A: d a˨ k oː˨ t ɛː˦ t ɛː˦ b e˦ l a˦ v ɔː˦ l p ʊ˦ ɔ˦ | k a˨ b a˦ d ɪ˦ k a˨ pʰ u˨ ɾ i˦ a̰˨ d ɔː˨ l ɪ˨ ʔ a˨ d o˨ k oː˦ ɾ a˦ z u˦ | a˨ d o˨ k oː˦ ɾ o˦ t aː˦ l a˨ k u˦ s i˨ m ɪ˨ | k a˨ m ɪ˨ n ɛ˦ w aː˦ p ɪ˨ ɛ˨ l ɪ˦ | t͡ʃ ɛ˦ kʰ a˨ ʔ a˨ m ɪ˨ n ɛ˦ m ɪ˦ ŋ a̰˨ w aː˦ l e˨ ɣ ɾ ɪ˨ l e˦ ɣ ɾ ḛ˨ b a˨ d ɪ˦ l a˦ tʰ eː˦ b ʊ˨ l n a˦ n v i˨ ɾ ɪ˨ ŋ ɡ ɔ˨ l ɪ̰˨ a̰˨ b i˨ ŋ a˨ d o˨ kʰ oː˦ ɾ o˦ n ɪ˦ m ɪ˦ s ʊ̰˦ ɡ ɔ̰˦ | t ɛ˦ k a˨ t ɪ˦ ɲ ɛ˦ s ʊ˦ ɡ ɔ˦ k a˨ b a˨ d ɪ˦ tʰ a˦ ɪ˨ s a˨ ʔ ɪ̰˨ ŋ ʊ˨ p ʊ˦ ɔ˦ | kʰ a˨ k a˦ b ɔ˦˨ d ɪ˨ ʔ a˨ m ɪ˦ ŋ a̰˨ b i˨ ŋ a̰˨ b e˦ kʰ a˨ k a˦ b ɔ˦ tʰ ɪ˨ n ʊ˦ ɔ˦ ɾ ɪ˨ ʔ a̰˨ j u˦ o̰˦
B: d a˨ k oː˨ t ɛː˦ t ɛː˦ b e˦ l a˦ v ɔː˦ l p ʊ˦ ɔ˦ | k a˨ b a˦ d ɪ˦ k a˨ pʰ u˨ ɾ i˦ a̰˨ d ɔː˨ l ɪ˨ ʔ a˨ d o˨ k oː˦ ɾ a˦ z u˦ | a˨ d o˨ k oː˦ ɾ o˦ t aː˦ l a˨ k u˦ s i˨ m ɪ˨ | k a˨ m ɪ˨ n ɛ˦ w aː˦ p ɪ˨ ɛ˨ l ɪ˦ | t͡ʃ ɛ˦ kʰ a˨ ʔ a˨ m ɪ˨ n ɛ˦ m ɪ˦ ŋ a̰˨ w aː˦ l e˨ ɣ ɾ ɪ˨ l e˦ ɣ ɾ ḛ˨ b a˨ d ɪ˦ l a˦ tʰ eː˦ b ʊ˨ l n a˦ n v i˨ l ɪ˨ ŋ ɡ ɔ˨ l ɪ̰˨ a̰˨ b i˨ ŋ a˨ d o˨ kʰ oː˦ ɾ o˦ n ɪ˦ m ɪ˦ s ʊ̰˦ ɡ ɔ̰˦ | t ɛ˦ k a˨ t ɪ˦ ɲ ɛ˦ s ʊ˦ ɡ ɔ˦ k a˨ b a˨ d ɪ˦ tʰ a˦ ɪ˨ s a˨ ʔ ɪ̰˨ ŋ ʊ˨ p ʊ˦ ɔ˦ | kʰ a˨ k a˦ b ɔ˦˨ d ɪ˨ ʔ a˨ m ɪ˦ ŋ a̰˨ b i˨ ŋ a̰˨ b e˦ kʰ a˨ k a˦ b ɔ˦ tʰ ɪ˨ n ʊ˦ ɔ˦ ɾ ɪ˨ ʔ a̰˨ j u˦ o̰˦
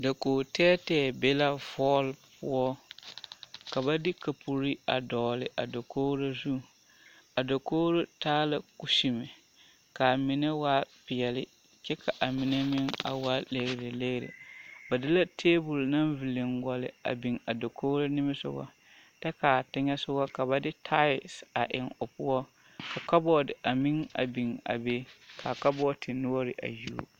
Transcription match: B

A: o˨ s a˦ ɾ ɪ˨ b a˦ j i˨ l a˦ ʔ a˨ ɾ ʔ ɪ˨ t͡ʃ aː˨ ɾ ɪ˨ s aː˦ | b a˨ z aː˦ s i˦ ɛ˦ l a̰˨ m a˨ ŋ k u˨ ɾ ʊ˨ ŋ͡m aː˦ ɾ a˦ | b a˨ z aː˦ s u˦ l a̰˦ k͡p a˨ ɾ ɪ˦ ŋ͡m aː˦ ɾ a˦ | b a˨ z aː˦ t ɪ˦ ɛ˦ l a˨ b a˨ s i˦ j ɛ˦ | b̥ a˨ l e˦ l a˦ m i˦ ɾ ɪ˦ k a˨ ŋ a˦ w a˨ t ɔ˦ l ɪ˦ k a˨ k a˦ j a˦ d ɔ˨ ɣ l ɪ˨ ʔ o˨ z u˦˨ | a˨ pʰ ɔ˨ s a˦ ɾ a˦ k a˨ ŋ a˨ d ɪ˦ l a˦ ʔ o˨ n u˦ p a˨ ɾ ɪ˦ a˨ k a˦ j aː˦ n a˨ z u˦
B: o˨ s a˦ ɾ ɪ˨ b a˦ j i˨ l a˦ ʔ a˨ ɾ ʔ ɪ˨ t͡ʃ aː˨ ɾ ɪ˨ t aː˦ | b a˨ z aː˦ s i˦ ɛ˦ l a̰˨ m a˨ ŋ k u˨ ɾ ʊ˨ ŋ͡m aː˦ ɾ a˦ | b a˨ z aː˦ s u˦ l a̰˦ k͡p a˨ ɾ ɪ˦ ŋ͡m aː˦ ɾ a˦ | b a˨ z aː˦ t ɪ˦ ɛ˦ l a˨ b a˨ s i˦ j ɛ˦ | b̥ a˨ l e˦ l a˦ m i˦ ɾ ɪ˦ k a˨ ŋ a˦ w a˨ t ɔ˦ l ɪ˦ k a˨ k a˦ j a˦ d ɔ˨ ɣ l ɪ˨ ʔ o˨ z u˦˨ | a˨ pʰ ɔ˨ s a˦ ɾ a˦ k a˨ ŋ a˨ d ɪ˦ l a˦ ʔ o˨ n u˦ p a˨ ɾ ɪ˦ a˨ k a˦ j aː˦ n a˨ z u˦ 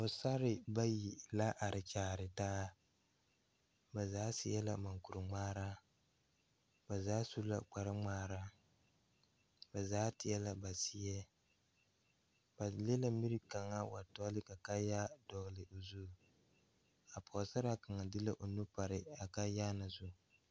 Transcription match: B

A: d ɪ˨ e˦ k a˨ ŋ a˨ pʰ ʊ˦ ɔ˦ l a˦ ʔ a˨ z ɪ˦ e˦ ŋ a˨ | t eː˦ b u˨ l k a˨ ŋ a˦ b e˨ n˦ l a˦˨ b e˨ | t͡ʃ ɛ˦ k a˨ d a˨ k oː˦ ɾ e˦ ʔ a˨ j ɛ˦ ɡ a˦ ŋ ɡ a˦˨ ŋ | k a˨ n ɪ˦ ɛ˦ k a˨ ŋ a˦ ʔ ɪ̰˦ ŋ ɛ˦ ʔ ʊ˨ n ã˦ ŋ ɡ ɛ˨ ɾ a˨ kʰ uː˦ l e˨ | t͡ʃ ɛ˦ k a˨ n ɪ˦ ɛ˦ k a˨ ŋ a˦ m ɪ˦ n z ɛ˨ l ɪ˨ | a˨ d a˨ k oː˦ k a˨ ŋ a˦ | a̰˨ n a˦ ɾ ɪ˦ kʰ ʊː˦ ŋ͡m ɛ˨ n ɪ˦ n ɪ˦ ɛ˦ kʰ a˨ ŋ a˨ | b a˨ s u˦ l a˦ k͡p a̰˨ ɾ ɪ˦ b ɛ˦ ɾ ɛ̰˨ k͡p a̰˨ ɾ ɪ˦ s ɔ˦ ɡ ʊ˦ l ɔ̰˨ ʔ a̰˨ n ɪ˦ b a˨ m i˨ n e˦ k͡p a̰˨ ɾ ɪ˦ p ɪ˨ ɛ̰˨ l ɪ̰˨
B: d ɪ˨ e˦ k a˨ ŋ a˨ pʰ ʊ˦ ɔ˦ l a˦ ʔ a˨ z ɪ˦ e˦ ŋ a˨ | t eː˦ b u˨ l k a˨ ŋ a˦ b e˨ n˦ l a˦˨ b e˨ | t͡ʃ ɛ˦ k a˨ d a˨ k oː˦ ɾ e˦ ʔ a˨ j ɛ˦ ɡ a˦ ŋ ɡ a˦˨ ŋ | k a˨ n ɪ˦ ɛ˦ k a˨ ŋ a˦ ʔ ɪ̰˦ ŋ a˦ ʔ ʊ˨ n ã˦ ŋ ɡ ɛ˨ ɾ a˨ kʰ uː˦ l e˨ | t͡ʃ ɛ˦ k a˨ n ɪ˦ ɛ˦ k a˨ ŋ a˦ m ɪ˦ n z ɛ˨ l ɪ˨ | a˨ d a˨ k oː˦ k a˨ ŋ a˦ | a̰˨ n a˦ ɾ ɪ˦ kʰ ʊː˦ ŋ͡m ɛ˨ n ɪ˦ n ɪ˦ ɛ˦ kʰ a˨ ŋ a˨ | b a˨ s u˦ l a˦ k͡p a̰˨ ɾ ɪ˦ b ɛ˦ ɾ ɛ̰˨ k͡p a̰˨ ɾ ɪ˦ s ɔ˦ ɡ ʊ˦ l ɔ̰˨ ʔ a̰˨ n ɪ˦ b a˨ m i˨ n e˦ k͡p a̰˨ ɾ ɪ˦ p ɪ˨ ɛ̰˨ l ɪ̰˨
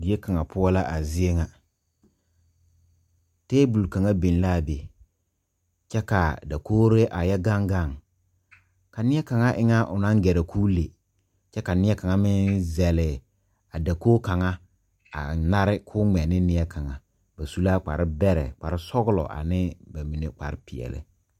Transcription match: B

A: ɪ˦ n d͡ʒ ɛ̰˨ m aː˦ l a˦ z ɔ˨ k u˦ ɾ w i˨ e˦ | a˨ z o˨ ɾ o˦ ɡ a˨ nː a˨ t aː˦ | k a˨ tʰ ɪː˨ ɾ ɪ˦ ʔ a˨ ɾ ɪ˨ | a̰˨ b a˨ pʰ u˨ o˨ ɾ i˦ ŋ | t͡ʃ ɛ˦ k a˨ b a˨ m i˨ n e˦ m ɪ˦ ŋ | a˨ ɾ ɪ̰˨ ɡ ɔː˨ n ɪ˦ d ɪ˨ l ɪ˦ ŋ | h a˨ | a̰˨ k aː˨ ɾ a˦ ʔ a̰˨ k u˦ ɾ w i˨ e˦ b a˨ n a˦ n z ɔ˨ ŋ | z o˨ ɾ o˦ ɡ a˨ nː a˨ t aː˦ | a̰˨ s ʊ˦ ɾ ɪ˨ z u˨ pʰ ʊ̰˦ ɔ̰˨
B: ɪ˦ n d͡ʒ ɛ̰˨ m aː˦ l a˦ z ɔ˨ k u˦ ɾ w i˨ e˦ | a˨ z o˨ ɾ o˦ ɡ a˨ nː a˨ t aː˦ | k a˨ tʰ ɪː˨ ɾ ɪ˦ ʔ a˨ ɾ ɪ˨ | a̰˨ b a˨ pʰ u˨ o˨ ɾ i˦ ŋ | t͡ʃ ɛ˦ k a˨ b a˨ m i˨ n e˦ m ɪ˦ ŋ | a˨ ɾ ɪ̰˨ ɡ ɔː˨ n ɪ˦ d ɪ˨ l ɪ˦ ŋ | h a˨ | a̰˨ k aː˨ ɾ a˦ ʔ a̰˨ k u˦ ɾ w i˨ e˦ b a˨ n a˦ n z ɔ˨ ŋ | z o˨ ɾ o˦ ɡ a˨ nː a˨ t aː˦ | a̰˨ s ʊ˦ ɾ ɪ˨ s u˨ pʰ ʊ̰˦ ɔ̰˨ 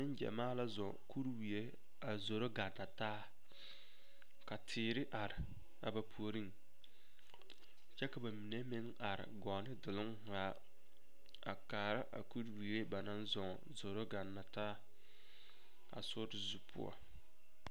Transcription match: A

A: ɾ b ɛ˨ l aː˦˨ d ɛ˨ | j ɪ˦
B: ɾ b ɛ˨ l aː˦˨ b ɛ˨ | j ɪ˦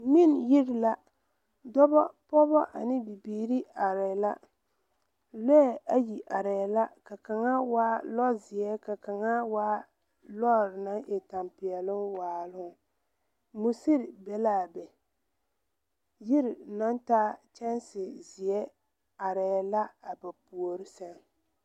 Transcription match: B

